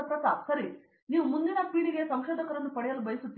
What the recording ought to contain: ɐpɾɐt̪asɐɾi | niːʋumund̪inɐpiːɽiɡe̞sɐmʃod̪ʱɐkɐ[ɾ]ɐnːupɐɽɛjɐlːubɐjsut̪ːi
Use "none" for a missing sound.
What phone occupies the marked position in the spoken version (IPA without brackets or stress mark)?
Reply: ɾ